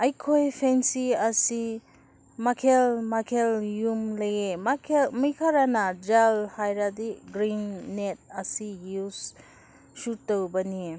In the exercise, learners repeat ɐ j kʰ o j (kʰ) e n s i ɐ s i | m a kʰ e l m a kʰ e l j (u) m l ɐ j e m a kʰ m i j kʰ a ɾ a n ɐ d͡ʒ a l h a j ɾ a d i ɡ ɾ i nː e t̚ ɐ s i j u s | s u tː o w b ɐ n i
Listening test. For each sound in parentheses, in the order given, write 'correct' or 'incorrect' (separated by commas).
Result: incorrect, correct